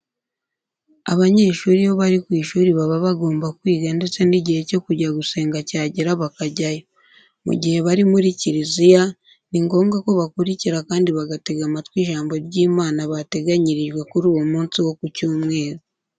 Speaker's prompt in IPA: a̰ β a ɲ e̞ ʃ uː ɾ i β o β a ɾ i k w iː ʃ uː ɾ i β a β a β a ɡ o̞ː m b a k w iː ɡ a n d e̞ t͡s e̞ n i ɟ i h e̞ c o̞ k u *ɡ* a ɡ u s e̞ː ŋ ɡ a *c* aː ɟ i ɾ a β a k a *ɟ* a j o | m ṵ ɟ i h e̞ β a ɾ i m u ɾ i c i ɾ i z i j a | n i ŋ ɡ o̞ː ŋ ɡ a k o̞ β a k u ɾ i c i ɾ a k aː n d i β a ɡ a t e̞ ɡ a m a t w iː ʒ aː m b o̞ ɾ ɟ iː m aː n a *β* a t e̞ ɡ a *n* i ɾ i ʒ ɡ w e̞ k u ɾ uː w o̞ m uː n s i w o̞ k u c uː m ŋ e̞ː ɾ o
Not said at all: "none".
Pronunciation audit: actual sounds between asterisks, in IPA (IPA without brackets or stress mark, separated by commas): ɟ, c, ɟ, β, ɲ